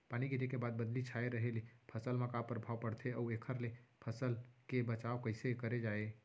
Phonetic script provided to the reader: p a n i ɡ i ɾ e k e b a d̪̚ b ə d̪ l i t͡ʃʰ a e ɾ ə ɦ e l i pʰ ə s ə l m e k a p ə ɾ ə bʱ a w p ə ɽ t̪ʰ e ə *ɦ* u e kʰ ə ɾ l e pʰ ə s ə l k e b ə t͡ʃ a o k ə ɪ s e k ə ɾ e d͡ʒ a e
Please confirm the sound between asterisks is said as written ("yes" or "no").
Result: no